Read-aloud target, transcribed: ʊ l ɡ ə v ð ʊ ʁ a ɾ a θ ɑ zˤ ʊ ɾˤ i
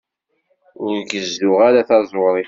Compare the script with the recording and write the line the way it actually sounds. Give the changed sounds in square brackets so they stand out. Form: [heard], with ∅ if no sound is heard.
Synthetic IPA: ʊ [ɾ] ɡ ə [z] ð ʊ ʁ a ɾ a θ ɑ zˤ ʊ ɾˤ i